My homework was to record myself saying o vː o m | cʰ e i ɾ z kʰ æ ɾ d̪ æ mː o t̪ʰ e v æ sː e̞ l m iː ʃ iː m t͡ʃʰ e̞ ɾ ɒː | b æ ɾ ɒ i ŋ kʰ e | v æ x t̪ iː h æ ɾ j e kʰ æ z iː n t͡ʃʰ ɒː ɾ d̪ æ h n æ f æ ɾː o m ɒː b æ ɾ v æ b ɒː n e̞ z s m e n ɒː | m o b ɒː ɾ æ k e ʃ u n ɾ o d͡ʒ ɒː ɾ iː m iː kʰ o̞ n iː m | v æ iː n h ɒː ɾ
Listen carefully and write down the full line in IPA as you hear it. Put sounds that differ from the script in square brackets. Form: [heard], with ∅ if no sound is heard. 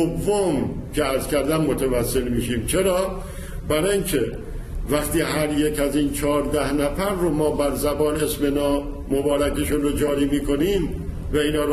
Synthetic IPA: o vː o m | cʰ e [æ] ɾ z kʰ æ ɾ d̪ æ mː o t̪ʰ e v æ sː e̞ l m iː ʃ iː m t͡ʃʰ e̞ ɾ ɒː | b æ ɾ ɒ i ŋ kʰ e | v æ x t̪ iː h æ ɾ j e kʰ æ z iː n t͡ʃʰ ɒː ɾ d̪ æ h n æ f æ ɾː o m ɒː b æ ɾ [z] æ b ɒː n e̞ [∅] s m e n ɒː | m o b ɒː ɾ æ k e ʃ u n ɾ o d͡ʒ ɒː ɾ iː m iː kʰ o̞ n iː m | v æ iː n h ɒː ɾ